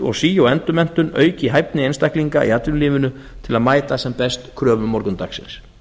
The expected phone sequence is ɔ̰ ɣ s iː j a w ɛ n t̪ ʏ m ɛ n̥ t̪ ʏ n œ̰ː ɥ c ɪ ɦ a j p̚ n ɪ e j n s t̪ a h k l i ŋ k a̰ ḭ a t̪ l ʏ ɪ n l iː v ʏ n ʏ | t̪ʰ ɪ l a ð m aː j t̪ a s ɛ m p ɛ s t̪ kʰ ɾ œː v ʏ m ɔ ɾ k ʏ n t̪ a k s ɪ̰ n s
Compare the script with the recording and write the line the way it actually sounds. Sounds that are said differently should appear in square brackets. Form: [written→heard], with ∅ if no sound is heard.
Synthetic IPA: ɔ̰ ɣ s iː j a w ɛ n t̪ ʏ m ɛ n̥ t̪ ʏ n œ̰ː ɥ c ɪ ɦ a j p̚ n ɪ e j n s t̪ a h k l i ŋ k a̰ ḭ a t̪ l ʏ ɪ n l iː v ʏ n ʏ | t̪ʰ ɪ l a ð m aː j t̪ a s ɛ m p ɛ s t̪ kʰ ɾ œː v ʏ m ɔ ɾ k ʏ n t̪ a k s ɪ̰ n s